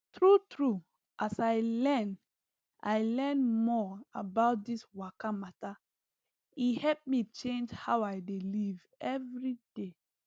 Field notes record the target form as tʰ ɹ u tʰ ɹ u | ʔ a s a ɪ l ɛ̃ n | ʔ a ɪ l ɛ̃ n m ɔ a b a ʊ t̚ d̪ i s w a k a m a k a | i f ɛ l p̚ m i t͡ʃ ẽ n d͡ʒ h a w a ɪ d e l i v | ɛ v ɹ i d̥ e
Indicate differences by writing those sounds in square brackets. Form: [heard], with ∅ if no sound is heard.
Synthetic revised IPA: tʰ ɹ u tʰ ɹ u | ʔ a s a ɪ l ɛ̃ n | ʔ a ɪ l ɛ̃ n m ɔ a b a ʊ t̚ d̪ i s w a k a m a [t] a | i [h] ɛ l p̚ m i t͡ʃ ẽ n d͡ʒ h a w a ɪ d e l i v | ɛ v ɹ i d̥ e

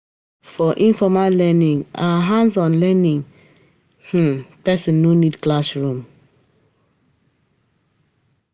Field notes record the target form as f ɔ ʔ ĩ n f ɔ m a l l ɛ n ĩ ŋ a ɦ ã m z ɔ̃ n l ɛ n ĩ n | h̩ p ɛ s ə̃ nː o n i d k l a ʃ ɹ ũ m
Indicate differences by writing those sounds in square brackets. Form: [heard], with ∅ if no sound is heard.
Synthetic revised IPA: f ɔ ʔ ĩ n f ɔ m a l l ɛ n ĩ ŋ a ɦ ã [n] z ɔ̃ n l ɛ n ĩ [ŋ] | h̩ p ɛ s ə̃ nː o n i d k l a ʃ ɹ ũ m

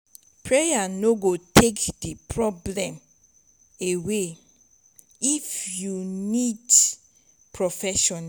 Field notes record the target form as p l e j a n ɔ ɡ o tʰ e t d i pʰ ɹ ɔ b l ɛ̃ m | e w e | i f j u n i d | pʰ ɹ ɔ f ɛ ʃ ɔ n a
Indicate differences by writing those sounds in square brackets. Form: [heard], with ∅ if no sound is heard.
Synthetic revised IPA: p [ɹ] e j a n [o] ɡ o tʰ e [k] d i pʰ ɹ ɔ b l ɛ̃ m | e w e | i f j u n i d | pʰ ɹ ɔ f ɛ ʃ ɔ n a

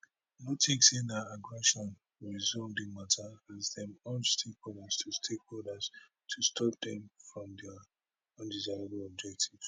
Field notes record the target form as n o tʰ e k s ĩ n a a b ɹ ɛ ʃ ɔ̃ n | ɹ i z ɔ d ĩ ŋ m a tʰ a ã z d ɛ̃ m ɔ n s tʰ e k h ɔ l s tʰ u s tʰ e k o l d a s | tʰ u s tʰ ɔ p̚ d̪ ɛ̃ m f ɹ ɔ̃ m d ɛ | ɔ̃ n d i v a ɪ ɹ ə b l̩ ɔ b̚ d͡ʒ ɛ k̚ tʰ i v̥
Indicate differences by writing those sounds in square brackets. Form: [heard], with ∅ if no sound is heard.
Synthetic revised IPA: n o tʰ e k s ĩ n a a [ɡ] ɹ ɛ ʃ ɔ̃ n | ɹ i z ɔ d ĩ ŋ m a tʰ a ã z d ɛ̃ m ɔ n s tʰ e k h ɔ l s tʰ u s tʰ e k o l d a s | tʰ u s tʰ ɔ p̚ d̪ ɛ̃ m f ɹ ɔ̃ m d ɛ | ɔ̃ n d i [z] a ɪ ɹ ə b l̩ ɔ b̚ d͡ʒ ɛ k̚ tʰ i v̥

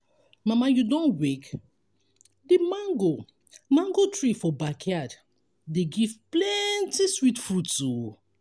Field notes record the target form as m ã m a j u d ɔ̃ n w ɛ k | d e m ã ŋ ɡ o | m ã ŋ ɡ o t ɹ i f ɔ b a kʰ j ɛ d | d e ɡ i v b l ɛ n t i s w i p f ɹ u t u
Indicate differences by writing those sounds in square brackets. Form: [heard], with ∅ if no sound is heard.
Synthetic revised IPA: m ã m a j u d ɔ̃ n w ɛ k | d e m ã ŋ ɡ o | m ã ŋ ɡ o t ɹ i f ɔ b a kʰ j [a] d | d e ɡ i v [p] l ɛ n t i s w i [t] f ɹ u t u

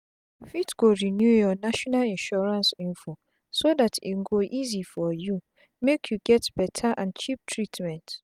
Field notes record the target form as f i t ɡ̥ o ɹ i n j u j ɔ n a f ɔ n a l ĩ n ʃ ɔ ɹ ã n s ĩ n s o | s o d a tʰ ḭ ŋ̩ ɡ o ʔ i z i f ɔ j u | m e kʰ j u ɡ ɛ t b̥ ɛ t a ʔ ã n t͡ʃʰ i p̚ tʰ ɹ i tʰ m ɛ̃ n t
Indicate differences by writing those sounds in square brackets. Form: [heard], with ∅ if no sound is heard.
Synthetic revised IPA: f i t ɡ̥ o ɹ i n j u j ɔ n a [ʃ] ɔ n a l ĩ n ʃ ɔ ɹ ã n s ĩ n [f] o | s o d a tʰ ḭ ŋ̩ ɡ o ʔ i z i f ɔ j u | m e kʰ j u ɡ ɛ t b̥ ɛ [tʰ] a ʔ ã n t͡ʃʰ i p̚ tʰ ɹ i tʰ m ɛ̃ n t

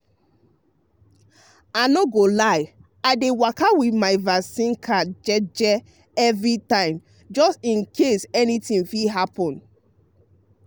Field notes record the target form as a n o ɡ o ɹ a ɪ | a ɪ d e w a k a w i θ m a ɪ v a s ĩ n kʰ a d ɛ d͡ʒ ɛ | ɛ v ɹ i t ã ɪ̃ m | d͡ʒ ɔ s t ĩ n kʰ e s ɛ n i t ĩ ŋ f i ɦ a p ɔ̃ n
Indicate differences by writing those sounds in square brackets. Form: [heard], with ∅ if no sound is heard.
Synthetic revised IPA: a n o ɡ o [l] a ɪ | a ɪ d e w a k a w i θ m a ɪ v a s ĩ n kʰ a [d͡ʒ] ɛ d͡ʒ ɛ | ɛ v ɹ i t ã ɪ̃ m | d͡ʒ ɔ s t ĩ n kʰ e s ɛ n i t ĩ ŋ f i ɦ a p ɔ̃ n

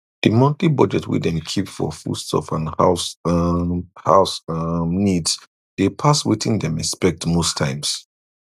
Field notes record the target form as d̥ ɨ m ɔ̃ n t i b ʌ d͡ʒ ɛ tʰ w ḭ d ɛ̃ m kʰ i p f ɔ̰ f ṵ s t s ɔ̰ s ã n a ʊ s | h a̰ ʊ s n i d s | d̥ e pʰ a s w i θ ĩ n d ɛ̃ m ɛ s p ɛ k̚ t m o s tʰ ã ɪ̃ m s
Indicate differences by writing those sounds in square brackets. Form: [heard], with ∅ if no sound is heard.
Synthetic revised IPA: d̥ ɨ m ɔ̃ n t i b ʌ d͡ʒ ɛ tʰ w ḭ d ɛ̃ m kʰ i p f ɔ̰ f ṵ s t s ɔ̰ [f] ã n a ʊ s | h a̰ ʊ s n i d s | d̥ e pʰ a s w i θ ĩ n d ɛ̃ m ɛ s p ɛ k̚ t m o s tʰ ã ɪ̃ m s

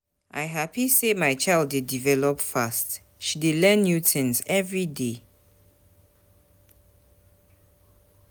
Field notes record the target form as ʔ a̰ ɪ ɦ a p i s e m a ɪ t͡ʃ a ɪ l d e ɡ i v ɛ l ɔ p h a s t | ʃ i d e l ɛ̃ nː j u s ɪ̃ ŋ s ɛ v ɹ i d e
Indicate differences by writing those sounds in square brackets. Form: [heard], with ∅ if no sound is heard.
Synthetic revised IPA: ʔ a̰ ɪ ɦ a p i s e m a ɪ t͡ʃ a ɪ l d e [d] i v ɛ l ɔ p [f] a s t | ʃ i d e l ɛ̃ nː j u [t] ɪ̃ [n] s ɛ v ɹ i d e

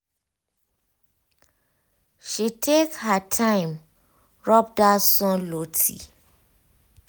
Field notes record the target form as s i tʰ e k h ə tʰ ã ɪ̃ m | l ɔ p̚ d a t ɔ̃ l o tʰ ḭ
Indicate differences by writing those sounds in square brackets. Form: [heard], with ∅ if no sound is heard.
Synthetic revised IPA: [ʃ] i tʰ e k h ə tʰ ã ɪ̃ m | [ɹ] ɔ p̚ d a [s] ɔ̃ l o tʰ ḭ

